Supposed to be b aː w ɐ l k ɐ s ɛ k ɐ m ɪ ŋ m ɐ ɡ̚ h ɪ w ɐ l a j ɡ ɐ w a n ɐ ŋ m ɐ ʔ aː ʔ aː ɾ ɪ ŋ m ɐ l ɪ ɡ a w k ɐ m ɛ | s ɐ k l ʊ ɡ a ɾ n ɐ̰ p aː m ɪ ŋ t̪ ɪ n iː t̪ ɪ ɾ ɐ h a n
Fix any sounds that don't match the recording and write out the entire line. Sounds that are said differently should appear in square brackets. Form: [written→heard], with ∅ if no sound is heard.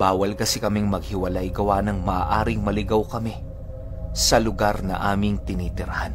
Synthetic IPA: b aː w ɐ l k ɐ s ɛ k ɐ m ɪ ŋ m ɐ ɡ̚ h ɪ w ɐ l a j ɡ ɐ w a n ɐ ŋ m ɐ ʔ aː ʔ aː ɾ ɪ ŋ m ɐ l ɪ ɡ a w k ɐ m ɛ | s ɐ [k→∅] l ʊ ɡ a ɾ n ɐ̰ [p→ʔ] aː m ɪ ŋ t̪ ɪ n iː t̪ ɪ ɾ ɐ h a n